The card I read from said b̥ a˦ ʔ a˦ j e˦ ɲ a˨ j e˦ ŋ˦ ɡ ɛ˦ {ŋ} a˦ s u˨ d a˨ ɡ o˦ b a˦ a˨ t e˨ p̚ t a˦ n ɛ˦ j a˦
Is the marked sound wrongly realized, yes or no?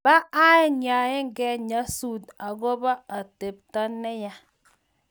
yes